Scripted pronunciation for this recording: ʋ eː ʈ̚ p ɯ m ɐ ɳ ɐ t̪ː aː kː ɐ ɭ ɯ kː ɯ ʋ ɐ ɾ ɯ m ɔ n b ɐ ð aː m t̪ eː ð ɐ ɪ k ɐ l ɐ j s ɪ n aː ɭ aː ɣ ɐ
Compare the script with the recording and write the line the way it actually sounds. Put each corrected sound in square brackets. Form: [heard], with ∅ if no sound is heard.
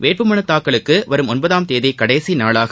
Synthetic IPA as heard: ʋ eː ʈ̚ p ɯ m ɐ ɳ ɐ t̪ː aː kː ɐ ɭ ɯ kː ɯ ʋ ɐ ɾ ɯ m ɔ n b ɐ ð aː m t̪ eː ð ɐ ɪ k ɐ [ɽ] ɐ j s [i] n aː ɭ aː ɣ ɐ